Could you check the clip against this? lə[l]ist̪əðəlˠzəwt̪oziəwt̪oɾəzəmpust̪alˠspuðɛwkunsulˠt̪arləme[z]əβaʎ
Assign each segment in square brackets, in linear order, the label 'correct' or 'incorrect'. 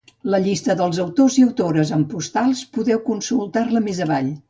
incorrect: ʎ, correct

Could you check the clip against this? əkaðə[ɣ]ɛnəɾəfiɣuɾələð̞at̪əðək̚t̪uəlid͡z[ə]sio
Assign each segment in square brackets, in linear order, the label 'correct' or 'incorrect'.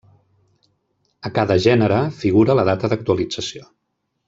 incorrect: ʒ, correct

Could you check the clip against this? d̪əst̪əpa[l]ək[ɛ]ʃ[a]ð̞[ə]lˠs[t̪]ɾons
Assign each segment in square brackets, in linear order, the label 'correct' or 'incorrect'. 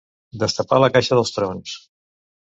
correct, incorrect: a, incorrect: ə, correct, correct

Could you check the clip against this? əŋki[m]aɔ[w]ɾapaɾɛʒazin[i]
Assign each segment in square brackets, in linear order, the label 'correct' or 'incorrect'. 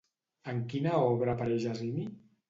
incorrect: n, incorrect: β, correct

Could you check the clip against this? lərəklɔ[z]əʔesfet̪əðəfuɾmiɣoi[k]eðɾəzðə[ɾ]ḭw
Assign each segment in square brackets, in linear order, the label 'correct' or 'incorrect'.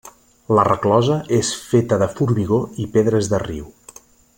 correct, incorrect: p, incorrect: r

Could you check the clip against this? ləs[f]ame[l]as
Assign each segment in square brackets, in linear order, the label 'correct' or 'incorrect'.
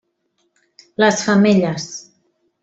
correct, incorrect: ʎ

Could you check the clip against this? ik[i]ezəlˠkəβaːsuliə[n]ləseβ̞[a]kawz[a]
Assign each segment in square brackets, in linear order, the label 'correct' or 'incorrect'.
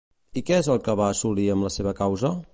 incorrect: ɛ, incorrect: m, incorrect: ə, incorrect: ə

